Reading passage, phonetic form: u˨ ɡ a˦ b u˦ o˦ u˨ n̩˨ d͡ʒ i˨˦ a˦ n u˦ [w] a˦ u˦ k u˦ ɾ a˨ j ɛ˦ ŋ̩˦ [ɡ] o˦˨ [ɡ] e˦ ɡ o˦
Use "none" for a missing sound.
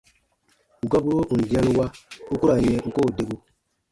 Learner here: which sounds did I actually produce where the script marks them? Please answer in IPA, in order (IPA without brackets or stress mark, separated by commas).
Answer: w, k, d